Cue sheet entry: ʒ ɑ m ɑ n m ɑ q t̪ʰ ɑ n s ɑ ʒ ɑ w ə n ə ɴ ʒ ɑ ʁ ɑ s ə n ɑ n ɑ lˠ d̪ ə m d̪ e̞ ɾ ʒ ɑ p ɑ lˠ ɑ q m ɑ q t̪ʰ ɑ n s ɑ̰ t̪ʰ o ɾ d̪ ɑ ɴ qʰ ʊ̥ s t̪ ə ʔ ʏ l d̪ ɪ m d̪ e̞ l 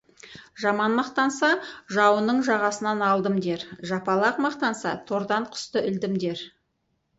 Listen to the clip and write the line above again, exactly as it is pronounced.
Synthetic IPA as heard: ʒ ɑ m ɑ n m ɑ q t̪ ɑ n s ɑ ʒ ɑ w ə n ə ɴ ʒ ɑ ʁ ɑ s ə n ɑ n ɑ lˠ d̪ ə m d̪ e̞ ɾ ʒ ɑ p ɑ lˠ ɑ q m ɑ q t̪ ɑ n s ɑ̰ t̪ʰ o ɾ d̪ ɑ ɴ qʰ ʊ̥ s t̪ ə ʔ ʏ l d̪ ɪ m d̪ e̞ ɾ